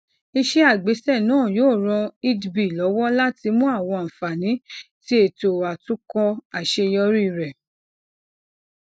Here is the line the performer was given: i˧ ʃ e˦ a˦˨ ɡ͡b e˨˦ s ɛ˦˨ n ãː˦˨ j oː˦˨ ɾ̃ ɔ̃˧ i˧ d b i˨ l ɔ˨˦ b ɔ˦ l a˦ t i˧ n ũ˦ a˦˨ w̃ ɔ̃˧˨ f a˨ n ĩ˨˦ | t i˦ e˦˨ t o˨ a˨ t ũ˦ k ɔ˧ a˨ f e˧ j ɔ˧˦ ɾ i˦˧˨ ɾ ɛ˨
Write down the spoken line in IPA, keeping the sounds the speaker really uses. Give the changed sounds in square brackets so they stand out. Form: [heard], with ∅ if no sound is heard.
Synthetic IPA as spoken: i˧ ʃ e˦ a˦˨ ɡ͡b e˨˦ s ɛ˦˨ n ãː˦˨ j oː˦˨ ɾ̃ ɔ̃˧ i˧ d b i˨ l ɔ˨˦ [w] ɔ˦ l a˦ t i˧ [m] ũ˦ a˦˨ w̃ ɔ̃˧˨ f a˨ n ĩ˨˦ | t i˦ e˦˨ t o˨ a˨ t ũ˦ k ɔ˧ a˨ [ʃ] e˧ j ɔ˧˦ ɾ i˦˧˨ ɾ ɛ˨

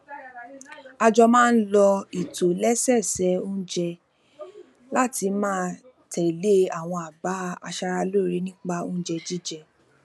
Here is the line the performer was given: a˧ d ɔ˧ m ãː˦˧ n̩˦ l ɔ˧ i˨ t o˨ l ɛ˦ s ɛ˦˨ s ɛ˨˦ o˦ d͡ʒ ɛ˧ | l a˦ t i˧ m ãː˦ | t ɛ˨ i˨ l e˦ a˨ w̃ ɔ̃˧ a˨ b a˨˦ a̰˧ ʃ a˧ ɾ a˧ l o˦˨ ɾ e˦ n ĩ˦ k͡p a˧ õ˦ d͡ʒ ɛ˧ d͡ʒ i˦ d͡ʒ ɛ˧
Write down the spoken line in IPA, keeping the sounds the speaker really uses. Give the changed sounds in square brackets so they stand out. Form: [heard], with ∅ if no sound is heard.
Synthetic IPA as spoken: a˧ [d͡ʒ] ɔ˧ m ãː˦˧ n̩˦ l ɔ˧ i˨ t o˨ l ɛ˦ s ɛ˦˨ s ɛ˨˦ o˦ d͡ʒ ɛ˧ | l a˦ t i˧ m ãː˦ | t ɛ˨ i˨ l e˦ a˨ w̃ ɔ̃˧ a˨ b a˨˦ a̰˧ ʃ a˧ ɾ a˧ l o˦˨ ɾ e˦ n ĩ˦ k͡p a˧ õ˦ d͡ʒ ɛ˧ d͡ʒ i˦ d͡ʒ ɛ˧

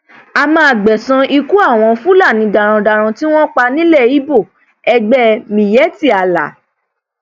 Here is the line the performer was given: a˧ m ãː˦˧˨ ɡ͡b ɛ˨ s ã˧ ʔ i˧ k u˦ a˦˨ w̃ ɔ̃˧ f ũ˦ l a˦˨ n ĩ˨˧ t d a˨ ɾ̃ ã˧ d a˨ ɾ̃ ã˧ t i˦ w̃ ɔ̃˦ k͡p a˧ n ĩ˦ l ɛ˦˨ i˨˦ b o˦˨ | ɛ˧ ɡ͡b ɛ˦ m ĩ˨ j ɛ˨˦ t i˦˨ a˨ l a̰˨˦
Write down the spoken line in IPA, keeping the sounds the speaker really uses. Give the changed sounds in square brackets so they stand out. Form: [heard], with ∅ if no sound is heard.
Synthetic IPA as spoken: a˧ m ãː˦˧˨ ɡ͡b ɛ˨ s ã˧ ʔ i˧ k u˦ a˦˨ w̃ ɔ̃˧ f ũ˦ l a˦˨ n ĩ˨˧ [∅] d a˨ ɾ̃ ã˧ d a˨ ɾ̃ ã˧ t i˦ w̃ ɔ̃˦ k͡p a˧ n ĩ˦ l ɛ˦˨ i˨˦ b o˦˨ | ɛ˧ ɡ͡b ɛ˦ m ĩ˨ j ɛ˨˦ t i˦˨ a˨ l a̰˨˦

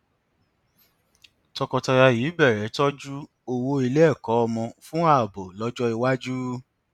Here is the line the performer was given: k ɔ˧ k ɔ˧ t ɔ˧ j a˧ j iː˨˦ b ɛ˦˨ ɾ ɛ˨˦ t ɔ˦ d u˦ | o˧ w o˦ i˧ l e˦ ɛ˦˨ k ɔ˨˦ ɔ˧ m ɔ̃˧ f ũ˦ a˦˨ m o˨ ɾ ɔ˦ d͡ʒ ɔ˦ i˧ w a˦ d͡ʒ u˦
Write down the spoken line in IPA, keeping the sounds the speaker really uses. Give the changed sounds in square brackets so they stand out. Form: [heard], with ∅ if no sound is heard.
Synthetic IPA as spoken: [t] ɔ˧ k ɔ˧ t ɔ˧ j a˧ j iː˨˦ b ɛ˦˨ ɾ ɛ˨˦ t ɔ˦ [d͡ʒ] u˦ | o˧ w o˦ i˧ l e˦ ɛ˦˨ k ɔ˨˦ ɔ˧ m ɔ̃˧ f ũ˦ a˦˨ [b] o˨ [l] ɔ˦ d͡ʒ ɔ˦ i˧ w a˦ d͡ʒ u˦

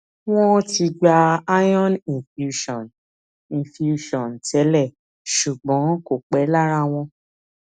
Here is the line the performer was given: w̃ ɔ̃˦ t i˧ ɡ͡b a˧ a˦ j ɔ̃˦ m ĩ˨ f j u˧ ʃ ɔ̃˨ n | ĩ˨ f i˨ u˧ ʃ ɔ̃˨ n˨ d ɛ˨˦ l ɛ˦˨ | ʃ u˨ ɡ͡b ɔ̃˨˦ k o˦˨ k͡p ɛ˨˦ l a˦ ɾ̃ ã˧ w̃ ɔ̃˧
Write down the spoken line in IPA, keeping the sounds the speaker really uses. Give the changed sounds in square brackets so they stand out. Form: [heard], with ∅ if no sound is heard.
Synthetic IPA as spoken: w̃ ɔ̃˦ t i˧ ɡ͡b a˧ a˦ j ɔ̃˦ [n] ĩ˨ f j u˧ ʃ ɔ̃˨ n | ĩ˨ f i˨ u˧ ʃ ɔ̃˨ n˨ [t] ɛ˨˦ l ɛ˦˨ | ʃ u˨ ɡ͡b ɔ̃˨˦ k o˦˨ k͡p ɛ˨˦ l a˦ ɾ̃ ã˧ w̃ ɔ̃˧

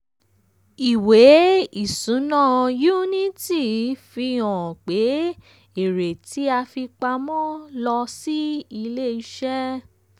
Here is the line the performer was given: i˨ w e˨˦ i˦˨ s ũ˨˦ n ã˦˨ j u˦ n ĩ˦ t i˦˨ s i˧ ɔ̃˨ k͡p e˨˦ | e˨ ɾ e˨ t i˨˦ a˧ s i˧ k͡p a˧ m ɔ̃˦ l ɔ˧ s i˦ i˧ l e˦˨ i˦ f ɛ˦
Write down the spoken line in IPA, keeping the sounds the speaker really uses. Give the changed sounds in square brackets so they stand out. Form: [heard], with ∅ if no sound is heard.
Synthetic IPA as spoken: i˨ w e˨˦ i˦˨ s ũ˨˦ n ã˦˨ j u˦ n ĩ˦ t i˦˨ [f] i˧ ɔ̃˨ k͡p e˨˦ | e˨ ɾ e˨ t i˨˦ a˧ [f] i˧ k͡p a˧ m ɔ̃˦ l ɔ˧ s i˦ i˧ l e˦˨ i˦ [ʃ] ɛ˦

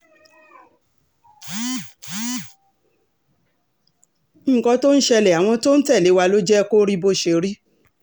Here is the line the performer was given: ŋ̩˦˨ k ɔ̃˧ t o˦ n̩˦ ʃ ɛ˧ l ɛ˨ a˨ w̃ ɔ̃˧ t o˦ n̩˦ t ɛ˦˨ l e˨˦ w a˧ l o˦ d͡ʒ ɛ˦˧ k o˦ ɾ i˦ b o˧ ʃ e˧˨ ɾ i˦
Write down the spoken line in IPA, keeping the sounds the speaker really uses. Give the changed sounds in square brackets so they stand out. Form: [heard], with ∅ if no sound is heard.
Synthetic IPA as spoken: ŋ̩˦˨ k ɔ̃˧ t o˦ n̩˦ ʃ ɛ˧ l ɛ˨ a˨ w̃ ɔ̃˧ t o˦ n̩˦ t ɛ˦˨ l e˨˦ w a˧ l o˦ d͡ʒ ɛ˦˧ k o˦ ɾ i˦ b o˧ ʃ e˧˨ ɾ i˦

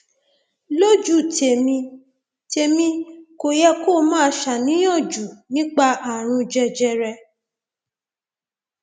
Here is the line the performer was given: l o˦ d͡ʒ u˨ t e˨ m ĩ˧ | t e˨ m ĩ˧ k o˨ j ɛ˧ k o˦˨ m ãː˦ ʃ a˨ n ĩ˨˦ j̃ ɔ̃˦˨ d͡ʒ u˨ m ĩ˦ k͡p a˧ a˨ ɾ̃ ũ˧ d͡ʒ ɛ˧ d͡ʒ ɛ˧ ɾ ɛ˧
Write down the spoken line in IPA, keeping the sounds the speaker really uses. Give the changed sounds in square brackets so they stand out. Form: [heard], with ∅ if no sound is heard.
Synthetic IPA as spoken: l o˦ d͡ʒ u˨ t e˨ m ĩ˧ | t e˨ m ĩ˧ k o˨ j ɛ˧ k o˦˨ m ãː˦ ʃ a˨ n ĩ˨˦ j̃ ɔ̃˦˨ d͡ʒ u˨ [n] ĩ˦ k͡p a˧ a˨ ɾ̃ ũ˧ d͡ʒ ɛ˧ d͡ʒ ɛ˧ ɾ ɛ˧

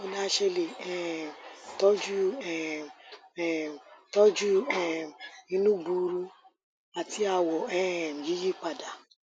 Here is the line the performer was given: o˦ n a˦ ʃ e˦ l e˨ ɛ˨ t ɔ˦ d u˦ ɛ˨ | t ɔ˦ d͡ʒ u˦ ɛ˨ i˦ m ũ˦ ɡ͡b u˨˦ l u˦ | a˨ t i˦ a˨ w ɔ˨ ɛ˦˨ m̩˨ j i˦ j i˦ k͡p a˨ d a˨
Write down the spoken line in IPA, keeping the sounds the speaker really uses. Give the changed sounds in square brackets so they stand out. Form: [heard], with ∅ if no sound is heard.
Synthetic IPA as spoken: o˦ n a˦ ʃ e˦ l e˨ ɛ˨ t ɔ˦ [d͡ʒ] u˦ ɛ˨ | t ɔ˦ d͡ʒ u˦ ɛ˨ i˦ [n] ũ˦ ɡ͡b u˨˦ [ɾ] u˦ | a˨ t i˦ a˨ w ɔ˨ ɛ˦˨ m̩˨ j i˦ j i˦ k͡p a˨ d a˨

